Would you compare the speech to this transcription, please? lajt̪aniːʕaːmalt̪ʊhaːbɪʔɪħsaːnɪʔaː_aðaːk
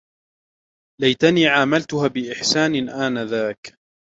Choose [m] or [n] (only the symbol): n